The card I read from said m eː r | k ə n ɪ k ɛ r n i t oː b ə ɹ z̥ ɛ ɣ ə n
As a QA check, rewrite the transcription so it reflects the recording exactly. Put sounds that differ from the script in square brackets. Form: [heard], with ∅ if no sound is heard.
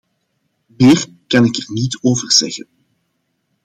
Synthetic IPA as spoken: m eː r | k [ɑ] n ɪ k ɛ r n i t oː [v] ə [r] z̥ ɛ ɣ ə n